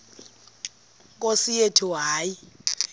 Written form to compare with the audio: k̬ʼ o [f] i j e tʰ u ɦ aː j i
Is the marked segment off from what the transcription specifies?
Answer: yes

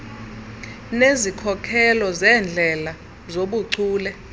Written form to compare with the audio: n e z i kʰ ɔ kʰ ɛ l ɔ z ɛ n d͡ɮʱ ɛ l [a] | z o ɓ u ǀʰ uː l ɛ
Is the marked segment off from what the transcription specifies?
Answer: no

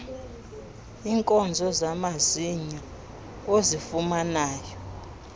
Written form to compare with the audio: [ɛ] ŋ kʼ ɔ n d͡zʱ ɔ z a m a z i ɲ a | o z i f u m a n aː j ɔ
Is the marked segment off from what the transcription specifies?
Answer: yes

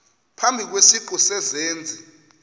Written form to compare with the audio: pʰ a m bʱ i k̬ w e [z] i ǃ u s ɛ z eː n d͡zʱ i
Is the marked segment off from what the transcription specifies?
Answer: yes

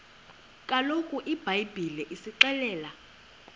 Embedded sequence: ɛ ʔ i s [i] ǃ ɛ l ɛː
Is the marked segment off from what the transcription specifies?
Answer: no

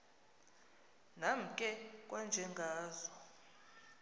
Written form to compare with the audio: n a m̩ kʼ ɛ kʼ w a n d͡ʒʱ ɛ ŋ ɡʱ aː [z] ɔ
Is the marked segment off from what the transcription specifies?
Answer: no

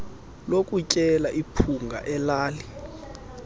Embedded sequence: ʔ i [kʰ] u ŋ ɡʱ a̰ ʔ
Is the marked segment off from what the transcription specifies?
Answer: yes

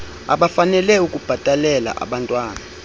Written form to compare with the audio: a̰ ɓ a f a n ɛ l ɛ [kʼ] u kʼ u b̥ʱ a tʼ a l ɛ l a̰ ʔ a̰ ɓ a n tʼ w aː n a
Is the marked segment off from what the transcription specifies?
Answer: yes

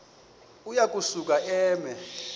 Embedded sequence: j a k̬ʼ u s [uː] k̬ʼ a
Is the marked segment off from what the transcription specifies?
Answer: yes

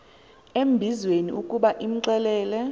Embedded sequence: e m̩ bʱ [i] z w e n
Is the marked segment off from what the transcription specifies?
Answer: no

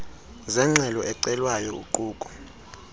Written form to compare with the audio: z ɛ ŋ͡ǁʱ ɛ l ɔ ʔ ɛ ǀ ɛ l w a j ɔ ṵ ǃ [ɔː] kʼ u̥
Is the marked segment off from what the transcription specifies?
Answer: yes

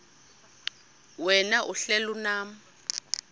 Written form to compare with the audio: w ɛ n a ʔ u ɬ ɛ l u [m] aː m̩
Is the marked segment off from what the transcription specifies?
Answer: yes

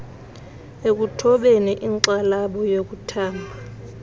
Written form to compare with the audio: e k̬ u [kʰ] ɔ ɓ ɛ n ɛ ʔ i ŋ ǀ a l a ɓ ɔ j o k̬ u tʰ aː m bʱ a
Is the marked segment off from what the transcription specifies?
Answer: yes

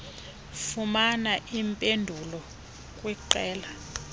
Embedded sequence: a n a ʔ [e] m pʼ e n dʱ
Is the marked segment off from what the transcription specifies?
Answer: yes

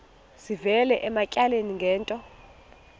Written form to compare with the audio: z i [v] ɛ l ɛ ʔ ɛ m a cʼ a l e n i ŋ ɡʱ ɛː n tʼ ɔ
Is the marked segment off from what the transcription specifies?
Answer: no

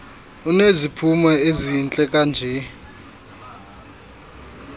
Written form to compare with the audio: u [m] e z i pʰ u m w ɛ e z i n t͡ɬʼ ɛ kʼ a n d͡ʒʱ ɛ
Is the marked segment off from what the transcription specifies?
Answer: yes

